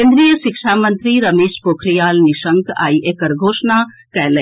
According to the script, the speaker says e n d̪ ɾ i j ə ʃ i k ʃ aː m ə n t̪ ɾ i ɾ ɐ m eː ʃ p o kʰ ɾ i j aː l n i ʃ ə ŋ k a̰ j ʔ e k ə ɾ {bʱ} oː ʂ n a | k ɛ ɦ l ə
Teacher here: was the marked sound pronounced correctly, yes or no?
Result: no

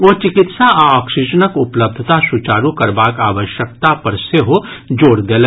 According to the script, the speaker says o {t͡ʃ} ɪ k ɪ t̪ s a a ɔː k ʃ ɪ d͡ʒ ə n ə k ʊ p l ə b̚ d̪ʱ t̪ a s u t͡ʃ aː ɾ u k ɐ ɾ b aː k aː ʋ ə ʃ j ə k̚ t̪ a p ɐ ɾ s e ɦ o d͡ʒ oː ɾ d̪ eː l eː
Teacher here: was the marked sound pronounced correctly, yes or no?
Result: yes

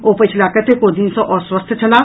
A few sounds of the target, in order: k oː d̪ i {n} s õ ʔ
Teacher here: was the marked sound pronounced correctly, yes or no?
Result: yes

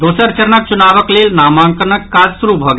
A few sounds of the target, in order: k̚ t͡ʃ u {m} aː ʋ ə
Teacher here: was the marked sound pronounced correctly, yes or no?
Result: no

